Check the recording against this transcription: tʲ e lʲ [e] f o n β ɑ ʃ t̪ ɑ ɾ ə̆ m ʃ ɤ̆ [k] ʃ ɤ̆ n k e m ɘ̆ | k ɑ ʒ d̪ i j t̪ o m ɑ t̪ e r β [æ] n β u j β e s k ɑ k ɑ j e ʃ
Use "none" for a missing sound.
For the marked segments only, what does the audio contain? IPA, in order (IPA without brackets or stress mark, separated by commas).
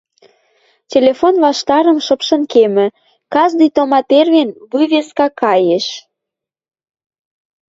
e, p, e